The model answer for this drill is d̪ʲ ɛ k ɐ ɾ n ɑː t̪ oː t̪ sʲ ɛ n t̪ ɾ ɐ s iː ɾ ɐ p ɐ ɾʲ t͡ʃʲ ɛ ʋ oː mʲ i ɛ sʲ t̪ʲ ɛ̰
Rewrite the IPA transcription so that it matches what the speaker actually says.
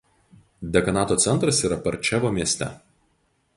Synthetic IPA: d̪ʲ ɛ k ɐ n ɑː t̪ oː t̪ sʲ ɛ n t̪ ɾ ɐ s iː ɾ ɐ p ɐ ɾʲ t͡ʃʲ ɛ ʋ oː mʲ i ɛ sʲ t̪ʲ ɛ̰